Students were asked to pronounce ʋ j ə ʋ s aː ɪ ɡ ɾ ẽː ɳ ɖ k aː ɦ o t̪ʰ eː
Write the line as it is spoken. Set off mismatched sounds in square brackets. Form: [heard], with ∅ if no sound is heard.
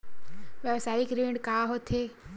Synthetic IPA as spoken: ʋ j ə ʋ s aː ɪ [k] ɾ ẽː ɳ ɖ k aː ɦ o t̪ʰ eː

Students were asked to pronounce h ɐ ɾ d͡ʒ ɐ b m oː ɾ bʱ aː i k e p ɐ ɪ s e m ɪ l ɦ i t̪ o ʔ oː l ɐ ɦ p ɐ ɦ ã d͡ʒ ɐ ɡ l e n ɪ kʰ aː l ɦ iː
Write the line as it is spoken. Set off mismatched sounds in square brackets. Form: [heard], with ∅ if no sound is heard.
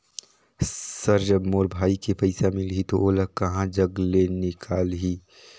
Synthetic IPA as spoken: [s] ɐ ɾ d͡ʒ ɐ b m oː ɾ bʱ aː i k e p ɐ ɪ s [a] m ɪ l ɦ i t̪ o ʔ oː l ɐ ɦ [k] ɐ ɦ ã d͡ʒ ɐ ɡ l e n ɪ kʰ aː l ɦ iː

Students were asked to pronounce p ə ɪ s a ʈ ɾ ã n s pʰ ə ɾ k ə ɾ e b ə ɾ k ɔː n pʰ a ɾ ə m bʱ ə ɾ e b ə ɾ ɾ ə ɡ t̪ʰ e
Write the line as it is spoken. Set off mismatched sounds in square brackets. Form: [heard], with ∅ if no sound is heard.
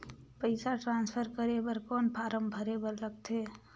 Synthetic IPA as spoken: p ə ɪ s a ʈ ɾ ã n s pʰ ə ɾ k ə ɾ e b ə ɾ k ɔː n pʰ a ɾ ə m bʱ ə ɾ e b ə ɾ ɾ ə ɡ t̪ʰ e

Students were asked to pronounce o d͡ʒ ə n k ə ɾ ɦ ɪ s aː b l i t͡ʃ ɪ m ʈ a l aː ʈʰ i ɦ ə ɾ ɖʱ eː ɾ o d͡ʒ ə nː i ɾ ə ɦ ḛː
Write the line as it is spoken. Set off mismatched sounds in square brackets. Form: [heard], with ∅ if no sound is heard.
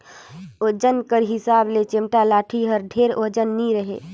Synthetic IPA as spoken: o d͡ʒ ə n k ə ɾ ɦ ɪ s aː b l [e] t͡ʃ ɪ m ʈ a l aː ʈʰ i ɦ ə ɾ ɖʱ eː ɾ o d͡ʒ ə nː i ɾ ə ɦ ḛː

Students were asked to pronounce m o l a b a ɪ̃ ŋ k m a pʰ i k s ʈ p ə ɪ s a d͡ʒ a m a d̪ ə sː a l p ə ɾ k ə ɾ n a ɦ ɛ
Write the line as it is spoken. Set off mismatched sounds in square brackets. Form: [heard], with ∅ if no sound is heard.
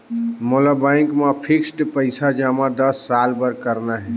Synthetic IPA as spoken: m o l a b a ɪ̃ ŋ k m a pʰ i k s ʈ p ə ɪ s a d͡ʒ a m a d̪ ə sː a l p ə ɾ k ə ɾ n a ɦ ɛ

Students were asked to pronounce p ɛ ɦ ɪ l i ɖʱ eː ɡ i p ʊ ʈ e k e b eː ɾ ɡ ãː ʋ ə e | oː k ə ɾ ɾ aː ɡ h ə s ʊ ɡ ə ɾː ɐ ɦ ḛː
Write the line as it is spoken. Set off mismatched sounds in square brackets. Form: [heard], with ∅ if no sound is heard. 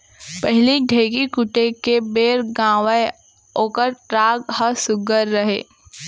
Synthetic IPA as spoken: p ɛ ɦ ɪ l i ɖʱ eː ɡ i [k] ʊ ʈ e k e b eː ɾ ɡ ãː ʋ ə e | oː k ə ɾ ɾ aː ɡ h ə s ʊ ɡ ə ɾː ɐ ɦ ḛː

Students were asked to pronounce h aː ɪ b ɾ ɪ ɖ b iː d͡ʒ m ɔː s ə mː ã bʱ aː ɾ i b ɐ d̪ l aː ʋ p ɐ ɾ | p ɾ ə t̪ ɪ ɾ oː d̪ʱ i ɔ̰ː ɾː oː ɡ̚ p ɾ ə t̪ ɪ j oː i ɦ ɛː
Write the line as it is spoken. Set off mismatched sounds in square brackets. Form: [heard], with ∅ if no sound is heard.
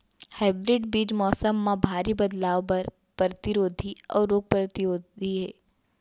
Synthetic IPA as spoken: h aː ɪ b ɾ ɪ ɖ b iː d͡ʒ m ɔː s ə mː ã bʱ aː ɾ i b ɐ d̪ l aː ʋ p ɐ ɾ | p ɾ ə t̪ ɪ ɾ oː d̪ʱ i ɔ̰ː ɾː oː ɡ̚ p ɾ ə t̪ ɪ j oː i ɦ ɛː

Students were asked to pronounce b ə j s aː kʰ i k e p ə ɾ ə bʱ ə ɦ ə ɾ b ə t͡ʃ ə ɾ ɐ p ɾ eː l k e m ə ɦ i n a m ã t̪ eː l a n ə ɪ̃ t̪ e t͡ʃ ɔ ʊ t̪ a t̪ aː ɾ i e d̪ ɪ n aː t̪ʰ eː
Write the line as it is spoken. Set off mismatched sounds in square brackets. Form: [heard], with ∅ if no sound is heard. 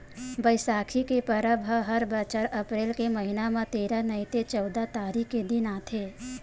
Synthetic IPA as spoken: b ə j s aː kʰ i k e p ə ɾ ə bʱ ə ɦ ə ɾ b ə t͡ʃ ə ɾ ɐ p ɾ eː l k e m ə ɦ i n a m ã t̪ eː [ɾ] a n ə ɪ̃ t̪ e t͡ʃ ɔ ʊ [d̪] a t̪ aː ɾ i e d̪ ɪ n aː t̪ʰ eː

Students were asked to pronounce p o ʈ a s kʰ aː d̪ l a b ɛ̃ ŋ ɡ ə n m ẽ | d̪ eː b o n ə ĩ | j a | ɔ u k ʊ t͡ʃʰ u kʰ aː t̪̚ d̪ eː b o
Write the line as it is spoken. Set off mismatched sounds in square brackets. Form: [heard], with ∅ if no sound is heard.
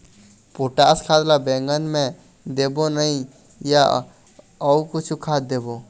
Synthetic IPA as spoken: p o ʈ a s kʰ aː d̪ l a b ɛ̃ ŋ ɡ ə n m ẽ | d̪ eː b o n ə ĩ | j a | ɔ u k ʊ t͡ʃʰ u kʰ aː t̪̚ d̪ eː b o

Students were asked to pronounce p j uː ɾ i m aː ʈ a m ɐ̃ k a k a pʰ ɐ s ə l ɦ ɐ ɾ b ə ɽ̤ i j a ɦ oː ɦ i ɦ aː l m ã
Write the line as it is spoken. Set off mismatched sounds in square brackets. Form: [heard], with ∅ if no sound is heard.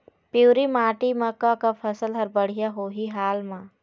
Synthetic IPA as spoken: p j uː ɾ i m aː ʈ [i] m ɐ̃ k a k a pʰ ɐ s ə l ɦ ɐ ɾ b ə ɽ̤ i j a ɦ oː ɦ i ɦ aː l m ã

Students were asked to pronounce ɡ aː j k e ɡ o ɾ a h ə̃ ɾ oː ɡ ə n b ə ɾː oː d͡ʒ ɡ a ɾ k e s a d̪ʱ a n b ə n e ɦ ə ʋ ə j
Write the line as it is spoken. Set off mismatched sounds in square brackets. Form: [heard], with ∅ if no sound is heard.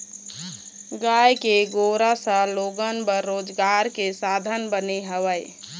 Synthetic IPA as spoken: ɡ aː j k e ɡ o ɾ a [s] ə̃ [l] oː ɡ ə n b ə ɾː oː d͡ʒ ɡ a ɾ k e s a d̪ʱ [ə] n b ə n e ɦ ə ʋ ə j

